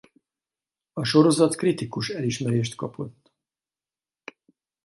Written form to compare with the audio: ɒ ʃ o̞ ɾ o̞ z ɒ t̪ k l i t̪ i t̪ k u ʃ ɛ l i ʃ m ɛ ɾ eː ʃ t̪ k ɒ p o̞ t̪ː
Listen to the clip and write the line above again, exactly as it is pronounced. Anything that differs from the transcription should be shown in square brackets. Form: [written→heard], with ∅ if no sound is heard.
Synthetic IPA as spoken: ɒ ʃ o̞ ɾ o̞ z ɒ t̪ k [l→r] i t̪ i [t̪→∅] k u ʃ ɛ l i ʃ m ɛ ɾ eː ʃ t̪ k ɒ p o̞ t̪ː